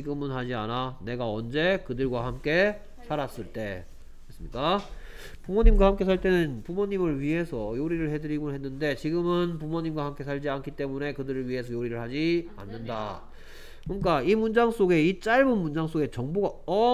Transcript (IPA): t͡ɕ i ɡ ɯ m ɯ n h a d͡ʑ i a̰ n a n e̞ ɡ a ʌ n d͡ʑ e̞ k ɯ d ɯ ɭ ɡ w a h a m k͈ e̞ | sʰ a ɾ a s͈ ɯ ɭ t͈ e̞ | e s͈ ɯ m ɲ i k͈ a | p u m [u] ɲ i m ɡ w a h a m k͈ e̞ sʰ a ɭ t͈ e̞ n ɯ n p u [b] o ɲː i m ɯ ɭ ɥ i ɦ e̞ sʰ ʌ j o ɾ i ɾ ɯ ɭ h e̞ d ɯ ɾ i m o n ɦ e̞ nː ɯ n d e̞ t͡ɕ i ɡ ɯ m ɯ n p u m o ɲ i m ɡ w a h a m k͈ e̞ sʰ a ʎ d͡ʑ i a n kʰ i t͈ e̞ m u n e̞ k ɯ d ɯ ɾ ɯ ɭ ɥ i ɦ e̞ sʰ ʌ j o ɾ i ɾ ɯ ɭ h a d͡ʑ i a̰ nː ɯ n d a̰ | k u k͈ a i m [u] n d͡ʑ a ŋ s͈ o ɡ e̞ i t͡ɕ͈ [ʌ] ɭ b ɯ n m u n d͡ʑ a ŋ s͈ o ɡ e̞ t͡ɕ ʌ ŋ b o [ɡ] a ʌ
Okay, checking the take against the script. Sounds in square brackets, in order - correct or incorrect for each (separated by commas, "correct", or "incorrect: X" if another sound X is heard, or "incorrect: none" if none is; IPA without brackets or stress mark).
incorrect: o, incorrect: m, correct, incorrect: a, correct